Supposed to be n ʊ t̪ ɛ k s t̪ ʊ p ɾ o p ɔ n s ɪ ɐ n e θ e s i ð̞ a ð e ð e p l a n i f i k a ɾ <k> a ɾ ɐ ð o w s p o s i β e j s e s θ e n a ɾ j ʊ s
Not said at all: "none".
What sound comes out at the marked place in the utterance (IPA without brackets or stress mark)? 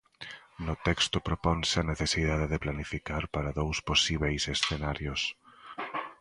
p